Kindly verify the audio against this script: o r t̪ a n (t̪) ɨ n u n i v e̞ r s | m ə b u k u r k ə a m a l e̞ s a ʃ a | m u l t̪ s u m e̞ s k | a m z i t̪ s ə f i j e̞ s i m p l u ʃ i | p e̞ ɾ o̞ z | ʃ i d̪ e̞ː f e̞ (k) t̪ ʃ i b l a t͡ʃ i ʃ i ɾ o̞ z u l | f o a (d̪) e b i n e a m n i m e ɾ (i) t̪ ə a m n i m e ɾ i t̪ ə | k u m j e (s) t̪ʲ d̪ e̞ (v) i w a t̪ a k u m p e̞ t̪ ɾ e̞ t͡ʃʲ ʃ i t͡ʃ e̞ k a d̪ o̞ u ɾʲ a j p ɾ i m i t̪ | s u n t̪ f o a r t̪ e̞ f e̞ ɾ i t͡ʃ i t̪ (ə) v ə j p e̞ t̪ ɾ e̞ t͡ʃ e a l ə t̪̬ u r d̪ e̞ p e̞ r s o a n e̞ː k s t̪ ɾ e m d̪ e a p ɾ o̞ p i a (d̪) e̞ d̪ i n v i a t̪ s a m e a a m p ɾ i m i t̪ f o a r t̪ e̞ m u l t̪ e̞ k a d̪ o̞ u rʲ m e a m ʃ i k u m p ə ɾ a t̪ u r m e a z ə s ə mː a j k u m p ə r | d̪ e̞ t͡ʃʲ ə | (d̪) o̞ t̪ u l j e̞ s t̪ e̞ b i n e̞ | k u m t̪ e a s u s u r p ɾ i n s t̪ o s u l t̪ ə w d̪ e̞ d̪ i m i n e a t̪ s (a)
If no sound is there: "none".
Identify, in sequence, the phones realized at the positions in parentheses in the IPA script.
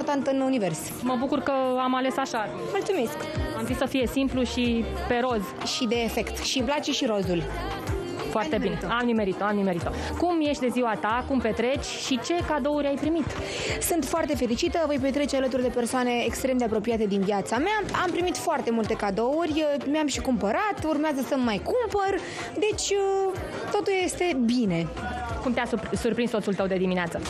t̪, k, t̪, i, ʃ, z, ə, t̪, t̪, ə

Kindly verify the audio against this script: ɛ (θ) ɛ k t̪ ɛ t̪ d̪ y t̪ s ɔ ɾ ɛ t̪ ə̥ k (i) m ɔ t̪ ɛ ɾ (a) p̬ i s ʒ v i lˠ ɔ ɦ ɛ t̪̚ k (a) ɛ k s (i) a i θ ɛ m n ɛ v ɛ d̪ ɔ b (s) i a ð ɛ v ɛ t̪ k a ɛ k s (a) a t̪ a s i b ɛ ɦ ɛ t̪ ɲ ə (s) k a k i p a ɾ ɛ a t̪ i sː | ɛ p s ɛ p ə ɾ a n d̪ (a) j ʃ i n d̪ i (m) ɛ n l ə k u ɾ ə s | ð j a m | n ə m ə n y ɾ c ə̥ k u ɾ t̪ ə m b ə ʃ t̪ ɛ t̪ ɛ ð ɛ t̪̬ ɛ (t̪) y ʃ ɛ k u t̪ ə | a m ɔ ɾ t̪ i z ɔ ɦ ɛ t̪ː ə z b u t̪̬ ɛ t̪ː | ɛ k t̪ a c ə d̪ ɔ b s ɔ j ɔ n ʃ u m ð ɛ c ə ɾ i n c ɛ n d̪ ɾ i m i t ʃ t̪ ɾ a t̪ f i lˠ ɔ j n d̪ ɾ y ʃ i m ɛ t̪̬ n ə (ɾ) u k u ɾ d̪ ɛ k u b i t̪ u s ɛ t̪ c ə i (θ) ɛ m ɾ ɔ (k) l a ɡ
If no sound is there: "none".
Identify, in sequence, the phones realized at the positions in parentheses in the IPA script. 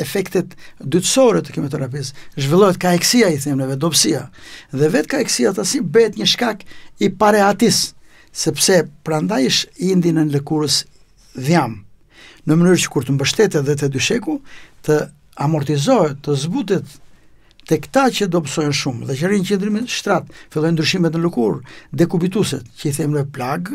f, i, a, a, i, s, i, ʃ, a, n, d̪, l, θ, p

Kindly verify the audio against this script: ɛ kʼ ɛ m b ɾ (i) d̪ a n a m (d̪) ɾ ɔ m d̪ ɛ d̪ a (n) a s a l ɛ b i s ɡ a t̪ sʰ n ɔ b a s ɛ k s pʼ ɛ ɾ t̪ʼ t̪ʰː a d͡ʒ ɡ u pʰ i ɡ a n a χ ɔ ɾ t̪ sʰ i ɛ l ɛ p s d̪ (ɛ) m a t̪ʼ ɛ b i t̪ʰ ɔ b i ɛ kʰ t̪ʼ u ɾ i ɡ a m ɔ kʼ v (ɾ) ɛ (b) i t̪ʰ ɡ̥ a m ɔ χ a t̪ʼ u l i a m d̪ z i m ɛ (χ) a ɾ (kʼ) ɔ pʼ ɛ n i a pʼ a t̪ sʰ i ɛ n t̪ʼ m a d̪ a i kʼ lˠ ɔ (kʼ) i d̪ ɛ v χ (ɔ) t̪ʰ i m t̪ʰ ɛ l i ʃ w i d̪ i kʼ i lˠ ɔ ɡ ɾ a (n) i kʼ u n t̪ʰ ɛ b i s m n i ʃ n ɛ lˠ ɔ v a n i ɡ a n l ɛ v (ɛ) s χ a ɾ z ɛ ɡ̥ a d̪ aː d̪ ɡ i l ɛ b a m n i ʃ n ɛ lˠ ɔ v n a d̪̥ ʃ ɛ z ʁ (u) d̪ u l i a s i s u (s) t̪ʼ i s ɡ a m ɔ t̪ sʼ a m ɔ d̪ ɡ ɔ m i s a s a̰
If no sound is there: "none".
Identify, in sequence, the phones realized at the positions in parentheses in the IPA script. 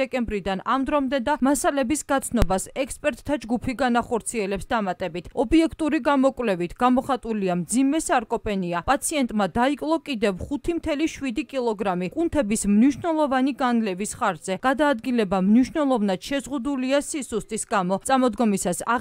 i, d̪, m, a, l, v, s, kʼ, kʼ, u, m, i, u, s

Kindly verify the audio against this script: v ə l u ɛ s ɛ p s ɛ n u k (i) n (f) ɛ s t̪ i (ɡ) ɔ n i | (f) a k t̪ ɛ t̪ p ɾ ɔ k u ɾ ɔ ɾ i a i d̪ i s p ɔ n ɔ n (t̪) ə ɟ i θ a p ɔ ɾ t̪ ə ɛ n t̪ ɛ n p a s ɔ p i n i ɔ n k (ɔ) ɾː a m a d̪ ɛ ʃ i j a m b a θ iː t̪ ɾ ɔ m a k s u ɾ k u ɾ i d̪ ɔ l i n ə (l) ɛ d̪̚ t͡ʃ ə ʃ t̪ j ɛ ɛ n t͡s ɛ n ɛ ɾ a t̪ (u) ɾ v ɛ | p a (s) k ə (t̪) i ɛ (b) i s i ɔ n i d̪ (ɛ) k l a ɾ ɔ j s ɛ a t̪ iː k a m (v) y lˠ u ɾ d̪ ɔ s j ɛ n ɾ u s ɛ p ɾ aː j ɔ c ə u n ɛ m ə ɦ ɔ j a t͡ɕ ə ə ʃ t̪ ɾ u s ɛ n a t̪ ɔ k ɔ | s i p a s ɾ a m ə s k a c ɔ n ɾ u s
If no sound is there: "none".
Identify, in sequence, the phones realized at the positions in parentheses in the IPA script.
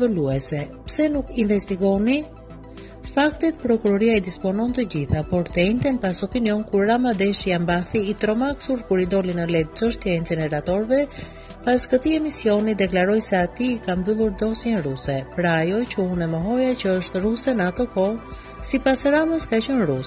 i, v, ɡ, f, t̪, u, l, ɔ, s, t̪, m, ɛ, b

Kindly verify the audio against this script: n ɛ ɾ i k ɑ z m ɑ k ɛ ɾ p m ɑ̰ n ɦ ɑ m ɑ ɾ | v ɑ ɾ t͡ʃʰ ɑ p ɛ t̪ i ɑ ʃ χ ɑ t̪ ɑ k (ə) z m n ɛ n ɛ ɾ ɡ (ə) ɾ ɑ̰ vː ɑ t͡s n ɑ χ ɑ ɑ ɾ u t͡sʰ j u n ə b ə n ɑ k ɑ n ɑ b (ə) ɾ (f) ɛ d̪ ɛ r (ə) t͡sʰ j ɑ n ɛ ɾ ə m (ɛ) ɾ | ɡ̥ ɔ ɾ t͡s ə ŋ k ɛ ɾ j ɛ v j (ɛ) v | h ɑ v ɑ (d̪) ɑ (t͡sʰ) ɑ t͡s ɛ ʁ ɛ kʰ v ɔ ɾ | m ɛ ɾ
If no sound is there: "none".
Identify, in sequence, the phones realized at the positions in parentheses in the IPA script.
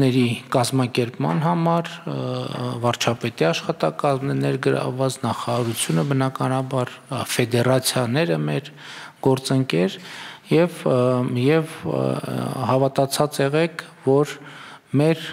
ɑ, ə, ɑ, f, ɑ, ɛ, ɛ, t̪, t͡sʰ

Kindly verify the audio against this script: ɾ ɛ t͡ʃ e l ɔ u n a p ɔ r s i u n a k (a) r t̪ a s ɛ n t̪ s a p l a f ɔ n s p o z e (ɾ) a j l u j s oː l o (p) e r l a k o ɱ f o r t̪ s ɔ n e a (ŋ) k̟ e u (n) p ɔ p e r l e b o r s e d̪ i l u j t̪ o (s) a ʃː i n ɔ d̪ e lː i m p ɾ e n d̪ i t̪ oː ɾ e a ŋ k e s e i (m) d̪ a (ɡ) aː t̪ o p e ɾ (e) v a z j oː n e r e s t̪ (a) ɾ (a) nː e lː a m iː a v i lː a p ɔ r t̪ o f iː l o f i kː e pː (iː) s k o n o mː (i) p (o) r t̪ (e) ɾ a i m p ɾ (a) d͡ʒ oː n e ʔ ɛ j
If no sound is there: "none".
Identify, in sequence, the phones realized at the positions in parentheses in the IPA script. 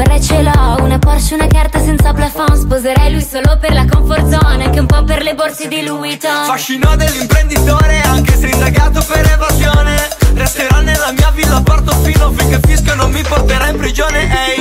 a, ɾ, p, ŋ, m, f, n, ɡ, e, e, a, i, i, o, e, i

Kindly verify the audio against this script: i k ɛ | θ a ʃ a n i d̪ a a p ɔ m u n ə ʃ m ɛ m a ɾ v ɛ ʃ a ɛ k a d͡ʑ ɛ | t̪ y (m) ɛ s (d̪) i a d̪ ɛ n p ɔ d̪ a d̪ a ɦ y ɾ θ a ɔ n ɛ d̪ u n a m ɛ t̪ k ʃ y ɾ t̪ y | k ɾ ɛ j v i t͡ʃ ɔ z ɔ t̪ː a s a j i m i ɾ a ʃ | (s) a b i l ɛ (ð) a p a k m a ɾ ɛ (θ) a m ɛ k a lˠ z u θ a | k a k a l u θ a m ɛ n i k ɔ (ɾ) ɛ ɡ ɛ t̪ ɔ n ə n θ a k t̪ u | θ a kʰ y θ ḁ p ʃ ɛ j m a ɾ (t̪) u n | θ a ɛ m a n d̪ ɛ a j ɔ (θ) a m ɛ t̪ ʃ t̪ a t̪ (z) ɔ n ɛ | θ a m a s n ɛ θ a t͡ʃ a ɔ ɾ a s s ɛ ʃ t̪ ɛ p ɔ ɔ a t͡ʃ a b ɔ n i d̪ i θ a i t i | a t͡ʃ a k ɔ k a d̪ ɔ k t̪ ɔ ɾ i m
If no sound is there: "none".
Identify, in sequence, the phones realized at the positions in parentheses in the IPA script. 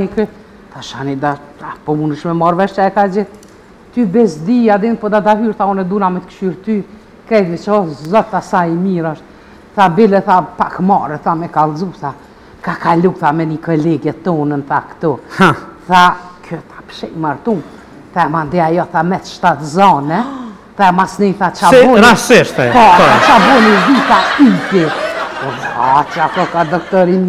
b, d̪, θ, θ, θ, l, t̪, θ, z

